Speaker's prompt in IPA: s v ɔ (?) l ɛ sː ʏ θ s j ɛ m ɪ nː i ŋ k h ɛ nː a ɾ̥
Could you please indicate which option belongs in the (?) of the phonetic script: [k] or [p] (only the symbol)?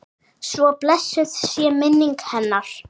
p